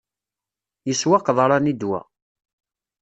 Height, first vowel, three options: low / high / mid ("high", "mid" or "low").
mid